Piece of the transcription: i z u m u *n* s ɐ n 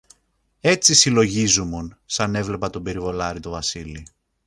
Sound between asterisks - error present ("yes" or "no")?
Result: no